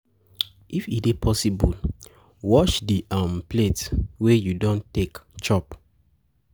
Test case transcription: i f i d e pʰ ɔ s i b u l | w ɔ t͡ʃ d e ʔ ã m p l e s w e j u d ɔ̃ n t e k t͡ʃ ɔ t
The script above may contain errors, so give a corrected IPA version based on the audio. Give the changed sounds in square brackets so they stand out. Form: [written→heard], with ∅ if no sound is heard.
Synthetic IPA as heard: i f i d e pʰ ɔ s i b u l | w ɔ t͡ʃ d [e→i] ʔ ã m p l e [s→t] w e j u d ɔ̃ n t e k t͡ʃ ɔ [t→p]